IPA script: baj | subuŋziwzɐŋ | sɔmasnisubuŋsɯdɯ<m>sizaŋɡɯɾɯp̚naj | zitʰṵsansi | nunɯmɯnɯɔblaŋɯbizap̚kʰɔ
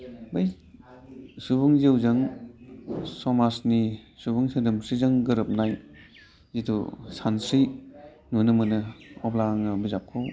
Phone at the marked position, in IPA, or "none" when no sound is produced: m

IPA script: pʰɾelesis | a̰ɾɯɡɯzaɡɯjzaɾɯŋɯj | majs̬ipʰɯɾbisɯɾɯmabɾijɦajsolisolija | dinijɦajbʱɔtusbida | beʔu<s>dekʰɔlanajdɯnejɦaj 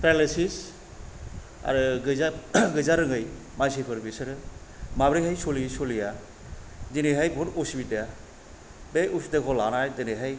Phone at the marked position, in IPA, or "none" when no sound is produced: s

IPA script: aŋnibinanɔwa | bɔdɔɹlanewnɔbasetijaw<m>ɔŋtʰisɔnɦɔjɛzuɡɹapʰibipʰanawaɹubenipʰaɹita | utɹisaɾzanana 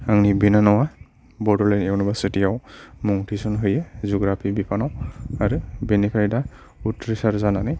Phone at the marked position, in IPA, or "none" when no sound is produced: m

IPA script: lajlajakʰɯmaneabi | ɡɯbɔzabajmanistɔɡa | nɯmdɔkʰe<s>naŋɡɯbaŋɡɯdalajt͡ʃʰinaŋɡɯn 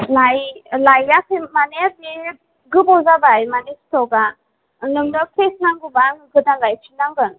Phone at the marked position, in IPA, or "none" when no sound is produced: s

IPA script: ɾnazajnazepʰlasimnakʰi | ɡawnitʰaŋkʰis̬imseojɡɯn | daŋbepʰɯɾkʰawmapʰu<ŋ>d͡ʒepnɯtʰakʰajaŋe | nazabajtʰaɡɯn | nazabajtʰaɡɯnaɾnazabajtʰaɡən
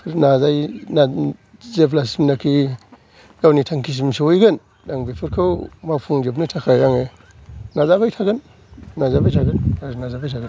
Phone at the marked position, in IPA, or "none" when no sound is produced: ŋ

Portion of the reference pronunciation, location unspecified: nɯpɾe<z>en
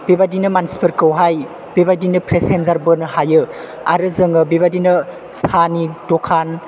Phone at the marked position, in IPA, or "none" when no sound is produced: s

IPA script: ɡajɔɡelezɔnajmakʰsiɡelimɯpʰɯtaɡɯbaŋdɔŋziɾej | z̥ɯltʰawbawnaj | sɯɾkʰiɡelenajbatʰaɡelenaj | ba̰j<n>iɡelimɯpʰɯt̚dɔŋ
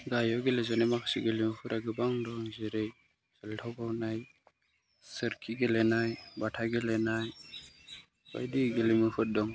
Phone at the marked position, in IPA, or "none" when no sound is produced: d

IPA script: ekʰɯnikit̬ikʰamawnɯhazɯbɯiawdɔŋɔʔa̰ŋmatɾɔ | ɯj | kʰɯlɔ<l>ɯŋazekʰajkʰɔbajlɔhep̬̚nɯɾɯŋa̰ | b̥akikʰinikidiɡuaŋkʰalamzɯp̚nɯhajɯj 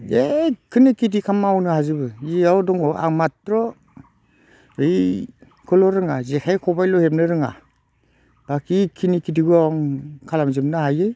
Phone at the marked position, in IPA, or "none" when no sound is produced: ɾ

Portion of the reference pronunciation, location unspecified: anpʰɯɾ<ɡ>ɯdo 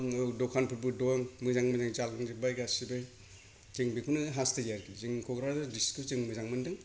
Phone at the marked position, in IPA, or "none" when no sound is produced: b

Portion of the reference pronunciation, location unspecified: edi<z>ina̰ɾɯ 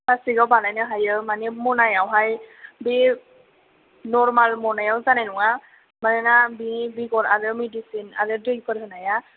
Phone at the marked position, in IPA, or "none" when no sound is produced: s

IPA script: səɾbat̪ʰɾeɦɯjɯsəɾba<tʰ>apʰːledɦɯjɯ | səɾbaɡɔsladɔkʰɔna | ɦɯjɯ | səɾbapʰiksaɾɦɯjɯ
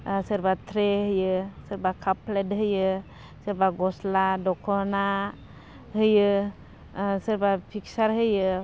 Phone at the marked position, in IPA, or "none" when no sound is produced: kʰ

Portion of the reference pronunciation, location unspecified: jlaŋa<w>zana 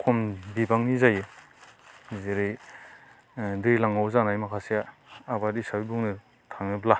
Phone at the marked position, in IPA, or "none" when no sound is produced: w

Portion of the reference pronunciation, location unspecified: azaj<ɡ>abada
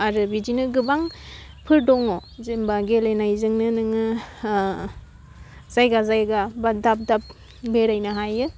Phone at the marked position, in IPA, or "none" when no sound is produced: ɡ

